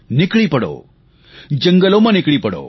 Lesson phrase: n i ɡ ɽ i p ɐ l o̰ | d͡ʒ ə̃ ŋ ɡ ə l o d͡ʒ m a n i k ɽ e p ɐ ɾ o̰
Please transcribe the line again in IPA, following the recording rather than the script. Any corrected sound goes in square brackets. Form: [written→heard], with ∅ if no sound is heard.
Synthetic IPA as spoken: n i [ɡ→k] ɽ i p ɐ [l→ɽ] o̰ | d͡ʒ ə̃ ŋ ɡ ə l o [d͡ʒ→∅] m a n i k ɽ [e→i] p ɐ [ɾ→ɽ] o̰

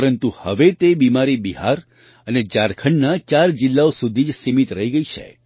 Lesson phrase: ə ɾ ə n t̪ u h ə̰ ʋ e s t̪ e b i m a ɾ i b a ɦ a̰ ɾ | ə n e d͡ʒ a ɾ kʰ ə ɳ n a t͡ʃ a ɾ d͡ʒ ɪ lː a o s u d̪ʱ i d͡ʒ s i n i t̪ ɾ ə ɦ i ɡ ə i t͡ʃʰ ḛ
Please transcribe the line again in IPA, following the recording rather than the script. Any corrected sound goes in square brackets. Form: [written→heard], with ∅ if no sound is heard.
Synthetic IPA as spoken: ə ɾ ə n t̪ u h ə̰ ʋ e [s→∅] t̪ e b i m a ɾ i b [a→i] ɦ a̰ ɾ | ə n e d͡ʒ a ɾ kʰ ə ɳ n a t͡ʃ a ɾ d͡ʒ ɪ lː a o s u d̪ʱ i d͡ʒ s i [n→m] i t̪ ɾ ə ɦ i ɡ ə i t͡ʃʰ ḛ

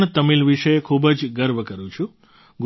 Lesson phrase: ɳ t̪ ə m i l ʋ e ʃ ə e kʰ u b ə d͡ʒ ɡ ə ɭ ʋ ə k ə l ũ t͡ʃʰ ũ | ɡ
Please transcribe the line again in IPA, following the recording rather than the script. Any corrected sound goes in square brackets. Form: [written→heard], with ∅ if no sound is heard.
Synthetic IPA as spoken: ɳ t̪ ə m i l ʋ [e→i] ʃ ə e kʰ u b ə d͡ʒ ɡ ə [ɭ→ɾ] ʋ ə k ə [l→ɾ] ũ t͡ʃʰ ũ | ɡ

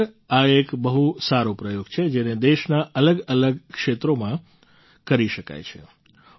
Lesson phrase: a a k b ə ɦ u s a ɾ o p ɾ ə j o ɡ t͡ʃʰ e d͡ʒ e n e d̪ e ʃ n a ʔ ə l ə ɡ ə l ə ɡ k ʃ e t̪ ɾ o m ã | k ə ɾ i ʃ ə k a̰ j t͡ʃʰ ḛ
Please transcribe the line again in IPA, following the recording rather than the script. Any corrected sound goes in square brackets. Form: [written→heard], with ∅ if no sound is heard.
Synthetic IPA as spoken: a [a→e] k b ə ɦ u s a ɾ o p ɾ ə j o ɡ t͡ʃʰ e d͡ʒ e n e d̪ e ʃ n a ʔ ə l ə ɡ ə l ə ɡ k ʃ e t̪ ɾ o m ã | k ə ɾ i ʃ ə k a̰ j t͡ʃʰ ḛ

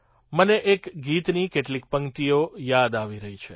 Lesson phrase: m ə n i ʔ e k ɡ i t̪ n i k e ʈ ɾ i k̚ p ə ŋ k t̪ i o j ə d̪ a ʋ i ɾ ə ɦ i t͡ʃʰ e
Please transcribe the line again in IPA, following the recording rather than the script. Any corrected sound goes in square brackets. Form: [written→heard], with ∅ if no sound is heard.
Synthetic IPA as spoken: m ə n [i→e] ʔ e k ɡ i t̪ n i k e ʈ [ɾ→l] i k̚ p ə ŋ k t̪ i o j [ə→a] d̪ a ʋ i ɾ ə ɦ i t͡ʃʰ e

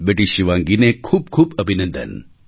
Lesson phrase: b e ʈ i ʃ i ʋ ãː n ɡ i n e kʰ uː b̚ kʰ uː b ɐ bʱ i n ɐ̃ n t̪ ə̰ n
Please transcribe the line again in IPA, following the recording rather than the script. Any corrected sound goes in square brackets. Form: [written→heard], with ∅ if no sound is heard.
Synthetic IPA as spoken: b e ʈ i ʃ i ʋ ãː [n→ŋ] ɡ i n e kʰ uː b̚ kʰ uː b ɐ bʱ i n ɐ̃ n [t̪→d̪] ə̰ n

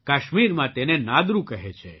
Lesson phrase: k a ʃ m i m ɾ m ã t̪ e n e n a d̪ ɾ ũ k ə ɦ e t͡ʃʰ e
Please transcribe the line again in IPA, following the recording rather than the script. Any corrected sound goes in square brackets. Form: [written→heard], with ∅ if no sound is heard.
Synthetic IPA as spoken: k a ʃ m i [m→∅] ɾ m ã t̪ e n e n a d̪ ɾ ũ k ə ɦ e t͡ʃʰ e

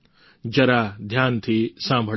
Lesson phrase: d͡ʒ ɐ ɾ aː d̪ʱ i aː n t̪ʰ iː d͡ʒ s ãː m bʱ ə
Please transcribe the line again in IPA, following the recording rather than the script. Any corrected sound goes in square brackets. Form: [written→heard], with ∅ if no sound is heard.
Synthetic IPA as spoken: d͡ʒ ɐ ɾ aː d̪ʱ [i→j] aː n t̪ʰ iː [d͡ʒ→∅] s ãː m bʱ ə

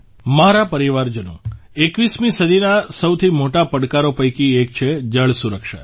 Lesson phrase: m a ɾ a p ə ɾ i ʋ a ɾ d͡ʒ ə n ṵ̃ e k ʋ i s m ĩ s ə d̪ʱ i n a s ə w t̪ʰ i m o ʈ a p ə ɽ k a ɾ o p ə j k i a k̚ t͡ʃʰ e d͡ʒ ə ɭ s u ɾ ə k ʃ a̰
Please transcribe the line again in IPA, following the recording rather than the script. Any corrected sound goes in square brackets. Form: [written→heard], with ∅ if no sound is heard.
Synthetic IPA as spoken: m a ɾ a p ə ɾ i ʋ a ɾ d͡ʒ ə n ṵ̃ e k ʋ i s m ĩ s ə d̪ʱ i n a s ə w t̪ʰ i m o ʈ a p ə ɽ k a ɾ o p ə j k i [a→e] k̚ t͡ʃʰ e d͡ʒ ə ɭ s u ɾ ə k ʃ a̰

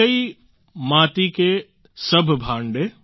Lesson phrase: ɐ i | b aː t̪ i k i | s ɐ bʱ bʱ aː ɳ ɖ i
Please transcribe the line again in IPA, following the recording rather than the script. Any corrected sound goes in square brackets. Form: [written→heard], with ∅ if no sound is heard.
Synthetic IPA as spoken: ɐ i | [b→m] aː t̪ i k [i→e] | s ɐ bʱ bʱ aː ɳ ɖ [i→e]

